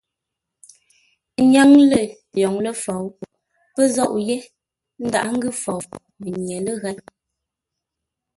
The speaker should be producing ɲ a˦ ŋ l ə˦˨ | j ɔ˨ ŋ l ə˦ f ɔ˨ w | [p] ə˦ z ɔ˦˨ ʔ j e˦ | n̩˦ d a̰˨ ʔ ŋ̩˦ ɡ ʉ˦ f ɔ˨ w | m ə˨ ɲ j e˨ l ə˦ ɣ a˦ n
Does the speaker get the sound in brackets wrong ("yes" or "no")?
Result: no